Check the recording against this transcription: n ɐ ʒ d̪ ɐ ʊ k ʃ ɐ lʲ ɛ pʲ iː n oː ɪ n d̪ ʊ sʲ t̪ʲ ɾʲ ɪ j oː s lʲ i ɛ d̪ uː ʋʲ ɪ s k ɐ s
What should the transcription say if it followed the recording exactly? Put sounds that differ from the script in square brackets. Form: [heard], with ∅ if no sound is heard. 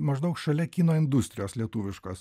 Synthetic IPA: [m] ɐ ʒ d̪ ɐ ʊ k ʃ ɐ lʲ ɛ [kʲ] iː n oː ɪ n d̪ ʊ sʲ t̪ʲ ɾʲ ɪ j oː s lʲ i ɛ [t̪] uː ʋʲ ɪ [ʃ] k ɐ s